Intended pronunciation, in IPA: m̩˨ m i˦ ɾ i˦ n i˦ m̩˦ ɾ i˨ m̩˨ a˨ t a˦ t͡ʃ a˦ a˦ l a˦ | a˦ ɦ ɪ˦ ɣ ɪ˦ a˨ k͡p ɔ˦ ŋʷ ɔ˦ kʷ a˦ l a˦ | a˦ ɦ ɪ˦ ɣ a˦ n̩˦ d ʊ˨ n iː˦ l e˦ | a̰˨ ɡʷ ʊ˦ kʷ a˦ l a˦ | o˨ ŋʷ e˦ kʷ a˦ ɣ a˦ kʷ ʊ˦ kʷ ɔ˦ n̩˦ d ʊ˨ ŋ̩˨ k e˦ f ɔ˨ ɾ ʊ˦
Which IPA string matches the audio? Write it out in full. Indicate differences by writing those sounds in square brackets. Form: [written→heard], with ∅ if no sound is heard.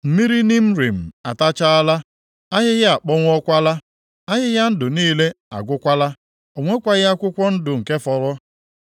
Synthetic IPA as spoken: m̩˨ m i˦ ɾ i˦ n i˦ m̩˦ ɾ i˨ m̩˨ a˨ t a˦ t͡ʃ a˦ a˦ l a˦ | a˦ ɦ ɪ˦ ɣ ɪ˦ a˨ k͡p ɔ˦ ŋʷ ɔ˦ kʷ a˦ l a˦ | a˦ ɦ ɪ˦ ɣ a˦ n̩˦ d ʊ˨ n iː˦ l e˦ | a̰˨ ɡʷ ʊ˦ kʷ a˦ l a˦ | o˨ ŋʷ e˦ kʷ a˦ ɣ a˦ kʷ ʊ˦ kʷ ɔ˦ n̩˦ d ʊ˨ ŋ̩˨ k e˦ f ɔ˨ ɾ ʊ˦